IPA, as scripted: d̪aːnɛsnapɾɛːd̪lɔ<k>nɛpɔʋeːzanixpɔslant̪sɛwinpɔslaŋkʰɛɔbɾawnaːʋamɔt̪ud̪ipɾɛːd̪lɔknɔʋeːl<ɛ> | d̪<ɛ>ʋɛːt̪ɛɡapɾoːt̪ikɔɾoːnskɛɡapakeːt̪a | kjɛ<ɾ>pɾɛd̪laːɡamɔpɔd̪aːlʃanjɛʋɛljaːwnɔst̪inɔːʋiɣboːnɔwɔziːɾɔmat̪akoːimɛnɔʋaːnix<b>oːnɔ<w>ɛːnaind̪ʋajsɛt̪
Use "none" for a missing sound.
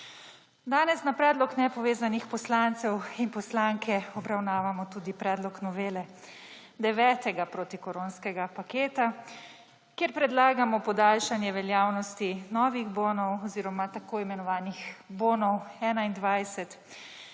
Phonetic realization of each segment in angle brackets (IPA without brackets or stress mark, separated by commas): k, ɛ, ɛ, ɾ, b, w